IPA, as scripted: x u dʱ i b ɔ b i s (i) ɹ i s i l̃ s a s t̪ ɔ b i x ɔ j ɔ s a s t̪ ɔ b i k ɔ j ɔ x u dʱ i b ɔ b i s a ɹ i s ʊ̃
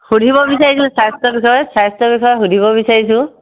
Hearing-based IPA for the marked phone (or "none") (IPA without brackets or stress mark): a